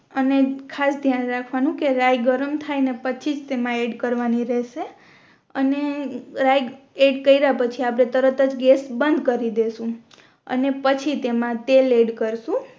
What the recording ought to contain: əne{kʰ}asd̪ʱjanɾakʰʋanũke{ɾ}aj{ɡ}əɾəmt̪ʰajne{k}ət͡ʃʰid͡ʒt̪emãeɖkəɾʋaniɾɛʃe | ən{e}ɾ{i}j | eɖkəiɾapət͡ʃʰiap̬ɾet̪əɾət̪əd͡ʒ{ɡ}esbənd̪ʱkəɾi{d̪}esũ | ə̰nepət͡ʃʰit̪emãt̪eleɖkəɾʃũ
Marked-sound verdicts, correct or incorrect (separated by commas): correct, correct, correct, incorrect, correct, incorrect, correct, correct